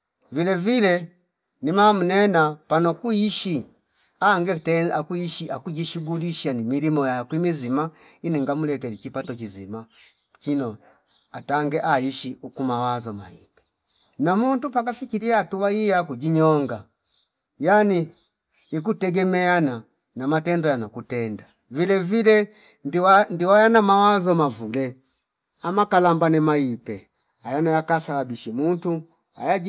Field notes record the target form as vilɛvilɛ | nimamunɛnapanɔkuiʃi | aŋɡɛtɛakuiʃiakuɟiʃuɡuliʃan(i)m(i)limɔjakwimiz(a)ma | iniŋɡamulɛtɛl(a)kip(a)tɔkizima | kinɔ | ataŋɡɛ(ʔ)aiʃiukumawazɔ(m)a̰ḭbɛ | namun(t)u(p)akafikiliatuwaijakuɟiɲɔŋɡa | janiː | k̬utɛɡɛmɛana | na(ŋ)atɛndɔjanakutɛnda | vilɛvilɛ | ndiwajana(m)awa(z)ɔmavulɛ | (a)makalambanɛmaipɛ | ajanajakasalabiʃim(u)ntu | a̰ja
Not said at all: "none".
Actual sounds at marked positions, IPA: i, i, i, i, a, ʔ, m, t, p, m, m, z, a, u

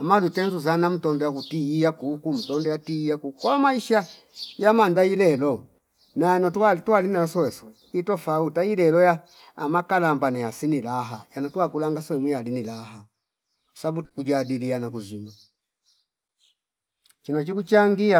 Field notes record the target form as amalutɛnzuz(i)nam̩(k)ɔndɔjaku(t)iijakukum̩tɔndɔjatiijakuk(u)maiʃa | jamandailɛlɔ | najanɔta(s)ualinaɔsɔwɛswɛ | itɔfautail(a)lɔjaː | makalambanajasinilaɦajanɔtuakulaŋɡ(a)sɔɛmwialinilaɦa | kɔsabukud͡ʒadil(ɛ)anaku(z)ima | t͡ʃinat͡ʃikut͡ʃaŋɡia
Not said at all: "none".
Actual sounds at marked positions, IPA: a, t, t, ɔ, t, ɛ, a, i, z

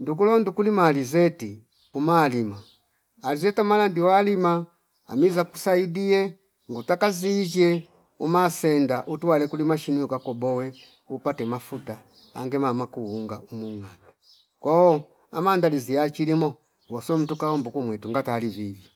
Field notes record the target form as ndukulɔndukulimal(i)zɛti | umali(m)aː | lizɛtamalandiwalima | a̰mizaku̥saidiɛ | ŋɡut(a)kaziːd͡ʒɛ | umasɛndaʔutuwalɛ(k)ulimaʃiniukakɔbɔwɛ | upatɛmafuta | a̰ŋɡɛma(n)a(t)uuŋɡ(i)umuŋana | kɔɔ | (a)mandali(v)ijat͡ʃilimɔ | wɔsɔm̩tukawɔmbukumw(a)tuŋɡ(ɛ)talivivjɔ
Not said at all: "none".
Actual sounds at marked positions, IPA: i, m, a, k, m, k, a, a, z, ɛ, a

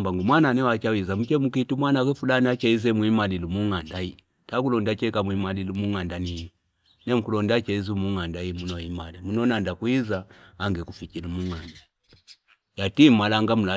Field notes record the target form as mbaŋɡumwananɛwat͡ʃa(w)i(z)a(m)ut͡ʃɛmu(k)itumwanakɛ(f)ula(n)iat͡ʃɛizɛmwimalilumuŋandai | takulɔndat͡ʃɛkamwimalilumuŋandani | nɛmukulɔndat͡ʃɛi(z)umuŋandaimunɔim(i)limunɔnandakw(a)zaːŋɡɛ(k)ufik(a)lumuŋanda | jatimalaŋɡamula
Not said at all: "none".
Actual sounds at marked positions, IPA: w, z, m, k, f, n, z, a, i, k, i

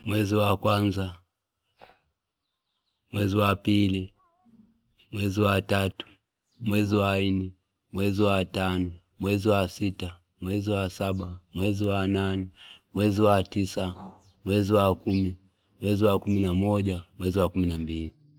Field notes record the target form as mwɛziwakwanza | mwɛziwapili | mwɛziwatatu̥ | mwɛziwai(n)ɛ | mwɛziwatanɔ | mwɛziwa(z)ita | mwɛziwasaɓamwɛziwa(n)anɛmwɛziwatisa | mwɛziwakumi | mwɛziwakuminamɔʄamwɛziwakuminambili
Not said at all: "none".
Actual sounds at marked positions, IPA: n, s, n

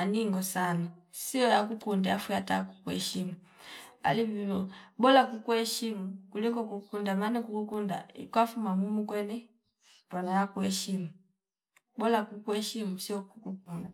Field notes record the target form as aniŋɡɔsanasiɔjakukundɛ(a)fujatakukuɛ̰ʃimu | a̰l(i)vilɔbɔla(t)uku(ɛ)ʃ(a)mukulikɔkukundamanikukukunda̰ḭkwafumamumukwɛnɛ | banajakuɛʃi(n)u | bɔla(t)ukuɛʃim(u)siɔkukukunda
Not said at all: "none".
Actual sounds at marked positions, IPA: a, i, k, ɛ, i, m, k, u

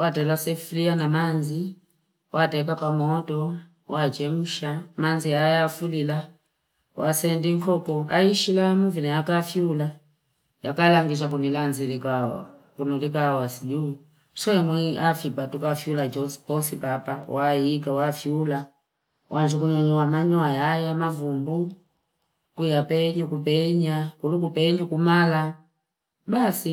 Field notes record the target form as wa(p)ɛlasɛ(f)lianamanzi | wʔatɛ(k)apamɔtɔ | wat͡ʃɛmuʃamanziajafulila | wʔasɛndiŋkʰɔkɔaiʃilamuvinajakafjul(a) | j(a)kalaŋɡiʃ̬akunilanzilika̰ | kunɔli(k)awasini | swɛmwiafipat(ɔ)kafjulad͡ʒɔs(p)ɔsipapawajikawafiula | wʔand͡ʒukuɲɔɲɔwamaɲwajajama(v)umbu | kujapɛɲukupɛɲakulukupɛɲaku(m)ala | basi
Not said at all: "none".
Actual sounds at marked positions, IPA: t, f, k, a, a, k, u, p, v, m

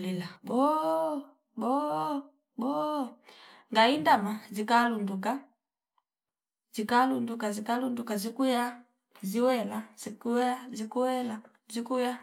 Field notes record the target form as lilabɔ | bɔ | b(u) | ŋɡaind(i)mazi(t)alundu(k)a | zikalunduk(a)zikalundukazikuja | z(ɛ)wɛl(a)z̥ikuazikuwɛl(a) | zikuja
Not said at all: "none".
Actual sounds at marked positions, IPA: ɔ, a, k, k, a, i, a, a

